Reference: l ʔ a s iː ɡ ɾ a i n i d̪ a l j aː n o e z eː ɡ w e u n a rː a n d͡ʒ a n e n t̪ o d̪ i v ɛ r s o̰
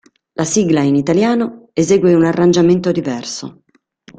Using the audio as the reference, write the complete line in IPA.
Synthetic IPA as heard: l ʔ a s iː ɡ l a i n i t̪ a l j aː n o e z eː ɡ w e u n a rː a n d͡ʒ a m e n t̪ o d̪ i v ɛ r s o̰